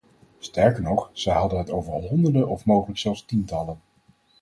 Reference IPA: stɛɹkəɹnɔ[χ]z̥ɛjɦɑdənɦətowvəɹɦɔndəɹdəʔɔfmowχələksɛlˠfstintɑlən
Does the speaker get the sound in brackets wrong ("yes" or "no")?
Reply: no